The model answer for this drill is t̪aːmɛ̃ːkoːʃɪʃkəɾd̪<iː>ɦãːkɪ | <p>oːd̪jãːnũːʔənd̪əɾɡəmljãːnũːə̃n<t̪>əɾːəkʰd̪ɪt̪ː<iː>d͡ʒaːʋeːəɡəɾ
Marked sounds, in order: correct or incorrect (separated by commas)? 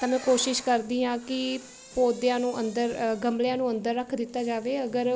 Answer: correct, correct, incorrect, incorrect